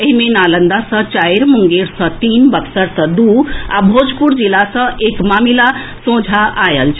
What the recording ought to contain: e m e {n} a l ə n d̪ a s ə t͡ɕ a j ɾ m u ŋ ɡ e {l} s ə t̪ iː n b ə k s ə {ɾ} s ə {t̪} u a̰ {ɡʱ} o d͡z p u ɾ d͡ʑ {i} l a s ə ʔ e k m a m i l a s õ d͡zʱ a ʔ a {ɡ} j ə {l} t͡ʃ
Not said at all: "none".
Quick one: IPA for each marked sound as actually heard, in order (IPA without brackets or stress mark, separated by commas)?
n, ɾ, ɾ, d̪, bʱ, i, none, l